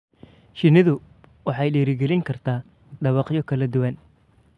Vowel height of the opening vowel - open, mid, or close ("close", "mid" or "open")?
close